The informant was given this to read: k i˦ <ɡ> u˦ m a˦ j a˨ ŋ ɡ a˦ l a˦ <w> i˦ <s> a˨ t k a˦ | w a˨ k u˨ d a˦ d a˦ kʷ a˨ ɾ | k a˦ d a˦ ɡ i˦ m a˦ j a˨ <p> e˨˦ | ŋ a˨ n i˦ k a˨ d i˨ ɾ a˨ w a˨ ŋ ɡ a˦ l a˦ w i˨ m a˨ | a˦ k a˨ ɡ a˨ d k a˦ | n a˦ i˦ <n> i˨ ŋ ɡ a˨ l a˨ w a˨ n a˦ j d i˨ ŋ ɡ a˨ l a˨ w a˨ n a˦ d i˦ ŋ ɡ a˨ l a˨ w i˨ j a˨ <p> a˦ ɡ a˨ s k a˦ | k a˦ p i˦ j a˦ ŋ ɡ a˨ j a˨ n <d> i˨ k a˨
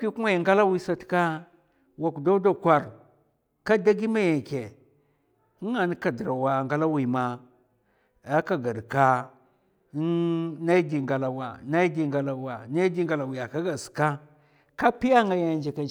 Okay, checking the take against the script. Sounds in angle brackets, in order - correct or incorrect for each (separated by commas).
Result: incorrect, correct, correct, incorrect, incorrect, incorrect, incorrect